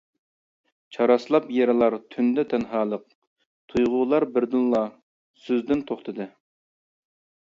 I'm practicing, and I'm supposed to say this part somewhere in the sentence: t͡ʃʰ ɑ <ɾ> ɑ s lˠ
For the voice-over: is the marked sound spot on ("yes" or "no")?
yes